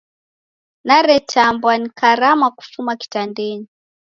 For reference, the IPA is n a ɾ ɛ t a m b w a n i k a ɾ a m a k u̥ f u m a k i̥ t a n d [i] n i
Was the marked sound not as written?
yes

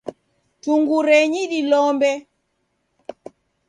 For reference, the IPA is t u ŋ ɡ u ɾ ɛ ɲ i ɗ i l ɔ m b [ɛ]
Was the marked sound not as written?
no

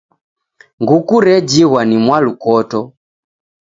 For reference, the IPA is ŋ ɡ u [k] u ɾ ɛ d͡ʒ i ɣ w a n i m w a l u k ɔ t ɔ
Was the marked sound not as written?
no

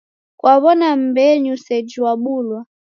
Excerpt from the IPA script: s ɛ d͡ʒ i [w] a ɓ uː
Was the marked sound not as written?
no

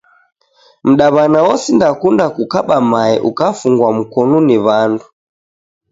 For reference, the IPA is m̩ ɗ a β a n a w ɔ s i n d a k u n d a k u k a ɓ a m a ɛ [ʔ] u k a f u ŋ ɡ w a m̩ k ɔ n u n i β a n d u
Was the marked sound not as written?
no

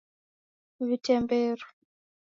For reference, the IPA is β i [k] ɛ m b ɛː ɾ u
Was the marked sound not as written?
yes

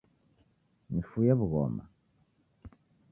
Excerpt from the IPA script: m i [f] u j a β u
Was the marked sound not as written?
no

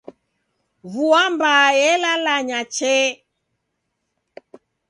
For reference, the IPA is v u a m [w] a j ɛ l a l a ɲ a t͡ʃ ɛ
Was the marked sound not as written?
yes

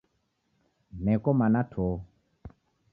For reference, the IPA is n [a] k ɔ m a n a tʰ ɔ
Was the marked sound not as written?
yes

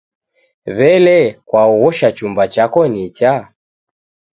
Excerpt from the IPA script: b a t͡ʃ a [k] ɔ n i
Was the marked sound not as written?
no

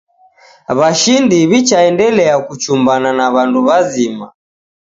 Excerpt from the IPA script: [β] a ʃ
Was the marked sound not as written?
no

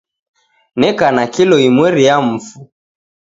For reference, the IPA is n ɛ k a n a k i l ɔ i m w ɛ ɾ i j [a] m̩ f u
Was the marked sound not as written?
no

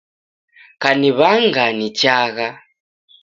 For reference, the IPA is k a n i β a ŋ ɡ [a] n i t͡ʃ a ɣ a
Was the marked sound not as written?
no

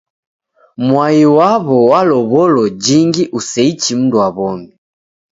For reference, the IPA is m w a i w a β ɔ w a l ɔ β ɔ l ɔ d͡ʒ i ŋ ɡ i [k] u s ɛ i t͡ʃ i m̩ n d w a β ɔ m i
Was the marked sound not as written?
yes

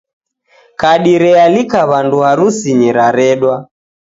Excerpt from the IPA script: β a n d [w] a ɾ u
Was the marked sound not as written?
yes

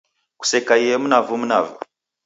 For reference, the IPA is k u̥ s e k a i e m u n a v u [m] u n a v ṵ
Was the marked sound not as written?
no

